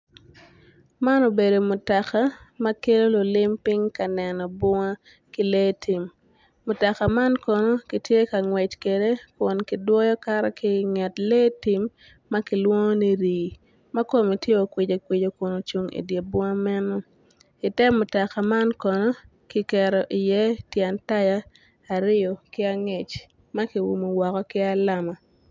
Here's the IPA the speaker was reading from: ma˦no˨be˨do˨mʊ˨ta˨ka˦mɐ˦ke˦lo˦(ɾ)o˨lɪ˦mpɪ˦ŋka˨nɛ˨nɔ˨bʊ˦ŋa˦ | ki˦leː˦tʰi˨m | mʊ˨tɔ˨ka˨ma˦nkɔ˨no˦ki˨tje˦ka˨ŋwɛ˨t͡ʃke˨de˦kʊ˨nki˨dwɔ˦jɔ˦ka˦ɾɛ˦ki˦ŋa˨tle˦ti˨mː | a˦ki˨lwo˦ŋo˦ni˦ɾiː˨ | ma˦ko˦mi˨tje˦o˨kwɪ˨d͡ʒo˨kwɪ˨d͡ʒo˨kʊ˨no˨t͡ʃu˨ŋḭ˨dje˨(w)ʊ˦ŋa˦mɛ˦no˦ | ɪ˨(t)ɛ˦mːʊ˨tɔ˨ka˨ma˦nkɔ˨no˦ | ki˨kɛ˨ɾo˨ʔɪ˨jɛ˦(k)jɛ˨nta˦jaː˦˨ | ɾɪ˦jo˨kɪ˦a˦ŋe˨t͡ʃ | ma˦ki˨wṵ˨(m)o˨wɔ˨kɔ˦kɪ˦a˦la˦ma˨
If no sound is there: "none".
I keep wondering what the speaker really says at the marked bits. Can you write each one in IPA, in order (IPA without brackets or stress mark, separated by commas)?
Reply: l, b, t, t, m